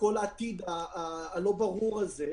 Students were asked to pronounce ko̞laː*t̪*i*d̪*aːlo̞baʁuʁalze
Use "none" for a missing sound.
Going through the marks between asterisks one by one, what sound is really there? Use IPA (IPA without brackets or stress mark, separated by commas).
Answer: t̪, d̪